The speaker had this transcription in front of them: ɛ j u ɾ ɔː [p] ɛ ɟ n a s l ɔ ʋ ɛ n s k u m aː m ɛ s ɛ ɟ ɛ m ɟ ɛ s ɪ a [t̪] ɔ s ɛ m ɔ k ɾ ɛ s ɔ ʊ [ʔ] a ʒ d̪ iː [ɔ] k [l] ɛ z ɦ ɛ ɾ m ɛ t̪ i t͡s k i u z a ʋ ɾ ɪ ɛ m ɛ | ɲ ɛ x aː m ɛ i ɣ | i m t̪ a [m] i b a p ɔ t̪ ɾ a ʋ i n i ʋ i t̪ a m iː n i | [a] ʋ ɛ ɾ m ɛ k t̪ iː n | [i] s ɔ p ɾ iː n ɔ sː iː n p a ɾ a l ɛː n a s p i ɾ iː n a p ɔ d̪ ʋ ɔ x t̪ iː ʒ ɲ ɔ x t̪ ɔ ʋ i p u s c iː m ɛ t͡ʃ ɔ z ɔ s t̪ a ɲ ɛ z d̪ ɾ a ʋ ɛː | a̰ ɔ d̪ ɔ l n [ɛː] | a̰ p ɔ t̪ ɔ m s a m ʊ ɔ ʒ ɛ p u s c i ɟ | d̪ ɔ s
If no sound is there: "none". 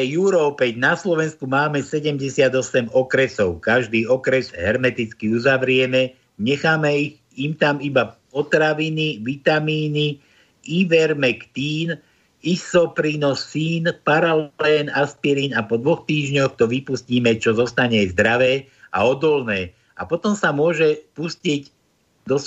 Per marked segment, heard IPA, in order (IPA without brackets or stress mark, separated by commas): p, d̪, k, ɔ, ɾ, m, i, i, ɛː